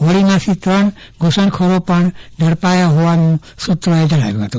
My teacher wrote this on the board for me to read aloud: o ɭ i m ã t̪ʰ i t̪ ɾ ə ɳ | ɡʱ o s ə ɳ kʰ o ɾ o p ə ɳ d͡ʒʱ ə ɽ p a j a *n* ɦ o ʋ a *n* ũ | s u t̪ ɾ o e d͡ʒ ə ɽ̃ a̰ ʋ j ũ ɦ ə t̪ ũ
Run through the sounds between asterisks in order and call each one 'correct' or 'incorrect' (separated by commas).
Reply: incorrect, correct